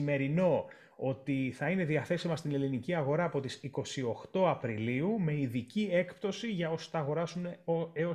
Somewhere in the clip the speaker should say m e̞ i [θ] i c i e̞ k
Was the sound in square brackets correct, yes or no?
no